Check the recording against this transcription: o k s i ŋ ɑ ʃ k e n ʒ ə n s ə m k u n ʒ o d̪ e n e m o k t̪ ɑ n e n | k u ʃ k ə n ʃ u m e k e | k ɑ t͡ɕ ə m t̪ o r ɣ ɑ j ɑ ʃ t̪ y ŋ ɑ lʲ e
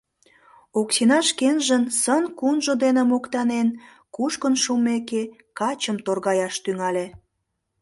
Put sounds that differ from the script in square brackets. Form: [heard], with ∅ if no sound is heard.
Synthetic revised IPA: o k s i [n] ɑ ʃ k e n ʒ ə n s ə [n] k u n ʒ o d̪ e n e m o k t̪ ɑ n e n | k u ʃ k ə n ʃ u m e k e | k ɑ t͡ɕ ə m t̪ o r ɣ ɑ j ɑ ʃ t̪ y ŋ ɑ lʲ e